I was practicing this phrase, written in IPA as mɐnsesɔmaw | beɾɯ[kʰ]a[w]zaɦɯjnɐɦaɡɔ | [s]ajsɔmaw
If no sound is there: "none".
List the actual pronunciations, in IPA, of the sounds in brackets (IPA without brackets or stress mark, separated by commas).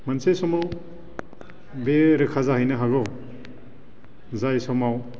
kʰ, none, z